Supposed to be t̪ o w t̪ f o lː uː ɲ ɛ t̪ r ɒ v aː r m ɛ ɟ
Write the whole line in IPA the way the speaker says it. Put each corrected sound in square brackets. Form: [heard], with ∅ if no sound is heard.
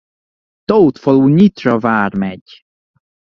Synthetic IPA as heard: t̪ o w t̪ f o [l] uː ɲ [i] t̪ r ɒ v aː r m ɛ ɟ